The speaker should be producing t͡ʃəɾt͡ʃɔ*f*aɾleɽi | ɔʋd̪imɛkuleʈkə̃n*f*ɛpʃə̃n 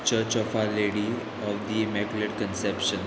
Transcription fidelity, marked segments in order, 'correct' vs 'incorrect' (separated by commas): correct, incorrect